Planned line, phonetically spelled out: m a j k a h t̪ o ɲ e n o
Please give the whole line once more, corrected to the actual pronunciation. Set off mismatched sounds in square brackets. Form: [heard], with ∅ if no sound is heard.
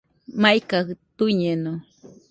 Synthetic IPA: m a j k a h t̪ [u] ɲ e n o